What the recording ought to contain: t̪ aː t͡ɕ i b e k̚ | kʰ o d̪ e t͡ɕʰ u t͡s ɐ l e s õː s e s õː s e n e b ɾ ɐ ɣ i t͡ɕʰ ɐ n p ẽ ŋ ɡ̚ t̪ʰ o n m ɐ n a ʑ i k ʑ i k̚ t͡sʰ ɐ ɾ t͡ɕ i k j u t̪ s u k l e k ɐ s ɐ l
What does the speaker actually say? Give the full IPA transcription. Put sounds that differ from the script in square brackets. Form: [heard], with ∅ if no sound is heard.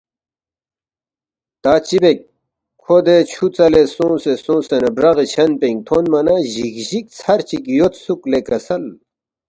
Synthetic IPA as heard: t̪ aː t͡ɕ i b e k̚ | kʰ o d̪ e t͡ɕʰ u t͡s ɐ l e s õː s e s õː s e n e b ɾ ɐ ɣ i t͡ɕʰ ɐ n p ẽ ŋ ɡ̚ t̪ʰ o n m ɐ n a ʑ i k ʑ i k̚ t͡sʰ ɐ ɾ t͡ɕ i k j [o] t̪ s u k l e k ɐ s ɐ l

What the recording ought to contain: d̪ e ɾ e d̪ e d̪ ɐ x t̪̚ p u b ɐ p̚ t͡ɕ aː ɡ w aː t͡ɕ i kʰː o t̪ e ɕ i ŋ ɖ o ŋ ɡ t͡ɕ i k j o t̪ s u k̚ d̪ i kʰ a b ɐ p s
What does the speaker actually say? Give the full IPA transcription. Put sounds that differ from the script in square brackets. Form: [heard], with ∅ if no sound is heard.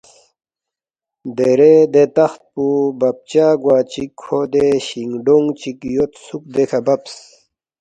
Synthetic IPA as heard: d̪ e ɾ e d̪ e [t̪] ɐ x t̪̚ p u b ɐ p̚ t͡ɕ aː ɡ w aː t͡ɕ i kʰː o [d̪] e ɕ i ŋ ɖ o ŋ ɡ t͡ɕ i k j o t̪ s u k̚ d̪ [e] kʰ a b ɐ p s

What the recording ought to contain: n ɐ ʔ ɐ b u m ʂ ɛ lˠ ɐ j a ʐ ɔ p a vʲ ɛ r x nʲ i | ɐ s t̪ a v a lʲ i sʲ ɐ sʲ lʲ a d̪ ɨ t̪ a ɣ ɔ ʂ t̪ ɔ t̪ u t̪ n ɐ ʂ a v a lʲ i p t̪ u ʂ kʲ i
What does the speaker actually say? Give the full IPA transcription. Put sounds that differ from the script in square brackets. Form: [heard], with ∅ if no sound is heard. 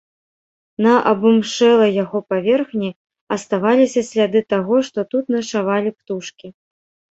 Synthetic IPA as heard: n ɐ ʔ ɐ b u m ʂ ɛ lˠ ɐ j a [ɣ] ɔ p a vʲ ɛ r x nʲ i | ɐ s t̪ a v a lʲ i sʲ ɐ sʲ lʲ a d̪ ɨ t̪ a ɣ ɔ ʂ t̪ ɔ t̪ u t̪ n ɐ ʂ a v a lʲ i p t̪ u ʂ kʲ i

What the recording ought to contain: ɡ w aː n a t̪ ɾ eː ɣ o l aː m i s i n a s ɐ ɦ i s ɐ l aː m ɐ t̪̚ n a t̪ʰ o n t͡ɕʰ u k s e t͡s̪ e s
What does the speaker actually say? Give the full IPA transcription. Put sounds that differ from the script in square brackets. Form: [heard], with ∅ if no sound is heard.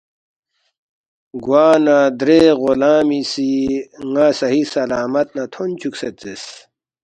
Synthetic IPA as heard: ɡ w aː n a [d̪] ɾ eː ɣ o l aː m i s i [ŋ] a s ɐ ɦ i s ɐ l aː m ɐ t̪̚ n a t̪ʰ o n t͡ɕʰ u k s e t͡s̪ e s

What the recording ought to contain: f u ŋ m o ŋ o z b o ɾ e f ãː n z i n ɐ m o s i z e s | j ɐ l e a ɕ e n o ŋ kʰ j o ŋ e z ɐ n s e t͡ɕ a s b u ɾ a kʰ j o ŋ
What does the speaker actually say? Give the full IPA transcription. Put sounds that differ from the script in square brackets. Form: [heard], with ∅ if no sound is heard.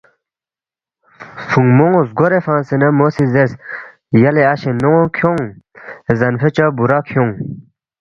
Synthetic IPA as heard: f u ŋ m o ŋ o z [ɡ] o ɾ e f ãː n [s] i n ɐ m o s i z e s | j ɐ l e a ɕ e n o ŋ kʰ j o ŋ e z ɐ n [f] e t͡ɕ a [∅] b u ɾ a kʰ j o ŋ

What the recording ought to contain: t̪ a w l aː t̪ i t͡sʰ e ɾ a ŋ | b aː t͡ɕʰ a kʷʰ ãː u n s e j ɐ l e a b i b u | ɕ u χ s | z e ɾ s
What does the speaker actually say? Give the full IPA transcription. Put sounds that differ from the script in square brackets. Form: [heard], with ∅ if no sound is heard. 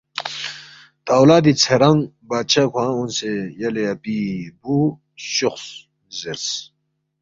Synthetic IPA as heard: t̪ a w l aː [d̪] i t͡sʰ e ɾ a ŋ | b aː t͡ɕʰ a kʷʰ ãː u n s e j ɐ l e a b i b u | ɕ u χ s | z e ɾ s

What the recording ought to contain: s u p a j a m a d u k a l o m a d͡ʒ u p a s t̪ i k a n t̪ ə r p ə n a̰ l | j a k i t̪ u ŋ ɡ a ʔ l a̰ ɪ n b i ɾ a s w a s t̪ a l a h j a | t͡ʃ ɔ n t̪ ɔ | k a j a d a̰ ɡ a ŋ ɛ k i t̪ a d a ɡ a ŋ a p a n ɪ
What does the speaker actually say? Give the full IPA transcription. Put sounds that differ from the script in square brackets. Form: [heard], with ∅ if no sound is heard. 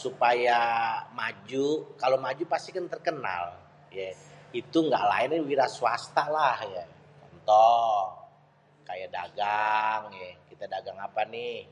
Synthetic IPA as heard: s u p a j a m a [d͡ʒ] u k a l o m a d͡ʒ u p a s t̪ i k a n t̪ ə r [k] ə n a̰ l | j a [∅] i t̪ u ŋ ɡ a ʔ l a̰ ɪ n [w] i ɾ a s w a s t̪ a l a h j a | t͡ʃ ɔ n t̪ ɔ | k a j a d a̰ ɡ a ŋ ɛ k i t̪ a d a ɡ a ŋ a p a n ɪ

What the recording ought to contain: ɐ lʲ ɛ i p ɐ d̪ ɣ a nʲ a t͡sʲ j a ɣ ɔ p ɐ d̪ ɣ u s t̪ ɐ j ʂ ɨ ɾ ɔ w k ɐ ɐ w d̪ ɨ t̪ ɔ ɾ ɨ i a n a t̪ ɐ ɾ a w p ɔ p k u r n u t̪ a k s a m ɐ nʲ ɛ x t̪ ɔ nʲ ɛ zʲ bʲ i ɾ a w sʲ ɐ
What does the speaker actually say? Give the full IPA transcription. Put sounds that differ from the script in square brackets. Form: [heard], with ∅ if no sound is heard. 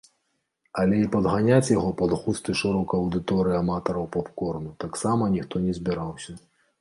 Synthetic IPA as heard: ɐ lʲ ɛ i p ɐ d̪ ɣ a nʲ a t͡sʲ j a ɣ ɔ p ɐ d̪ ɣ u s t̪ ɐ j ʂ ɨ ɾ ɔ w k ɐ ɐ w d̪ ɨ t̪ ɔ ɾ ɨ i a [m] a t̪ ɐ ɾ [ɐ] w p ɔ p k [ɔ] r n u t̪ a k s a m ɐ nʲ [i] x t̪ ɔ nʲ ɛ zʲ bʲ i ɾ a w sʲ ɐ

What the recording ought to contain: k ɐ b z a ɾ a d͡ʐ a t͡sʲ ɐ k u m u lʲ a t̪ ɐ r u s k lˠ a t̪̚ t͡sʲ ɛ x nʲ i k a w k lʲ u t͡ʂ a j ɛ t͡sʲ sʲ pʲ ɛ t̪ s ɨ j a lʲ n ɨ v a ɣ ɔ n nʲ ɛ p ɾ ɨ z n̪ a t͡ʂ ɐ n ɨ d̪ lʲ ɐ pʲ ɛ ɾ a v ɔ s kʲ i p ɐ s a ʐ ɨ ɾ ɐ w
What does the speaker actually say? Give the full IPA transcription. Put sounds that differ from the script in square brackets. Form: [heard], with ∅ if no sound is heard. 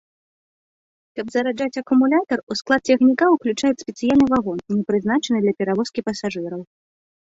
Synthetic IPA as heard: k ɐ b z [ɐ] ɾ a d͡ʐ a t͡sʲ ɐ k u m u lʲ a t̪ ɐ r u s k lˠ a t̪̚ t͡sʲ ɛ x nʲ i k a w k lʲ u t͡ʂ a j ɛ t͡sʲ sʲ pʲ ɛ t̪ s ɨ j a lʲ n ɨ v a ɣ ɔ n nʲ ɛ p ɾ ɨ z n̪ a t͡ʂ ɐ n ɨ d̪ lʲ ɐ pʲ ɛ ɾ a v ɔ s kʲ i p ɐ s a ʐ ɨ ɾ ɐ w

